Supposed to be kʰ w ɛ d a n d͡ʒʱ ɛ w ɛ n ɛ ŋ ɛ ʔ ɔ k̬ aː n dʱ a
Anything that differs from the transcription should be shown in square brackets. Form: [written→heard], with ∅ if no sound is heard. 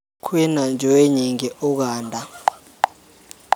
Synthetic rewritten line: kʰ w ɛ [d→n] a n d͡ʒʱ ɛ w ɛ [n→ɲ] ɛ ŋ ɛ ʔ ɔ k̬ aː n dʱ a